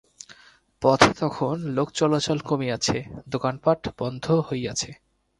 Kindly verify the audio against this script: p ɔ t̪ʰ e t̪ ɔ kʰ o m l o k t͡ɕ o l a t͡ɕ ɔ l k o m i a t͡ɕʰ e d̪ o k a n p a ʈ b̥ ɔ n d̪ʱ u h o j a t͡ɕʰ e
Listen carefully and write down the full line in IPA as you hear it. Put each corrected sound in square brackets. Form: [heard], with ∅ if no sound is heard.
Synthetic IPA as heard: p ɔ t̪ʰ e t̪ ɔ kʰ o [n] l o k t͡ɕ [ɔ] l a t͡ɕ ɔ l k o m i a t͡ɕʰ e d̪ o k a n p a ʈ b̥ ɔ n d̪ʱ [o] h o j a t͡ɕʰ e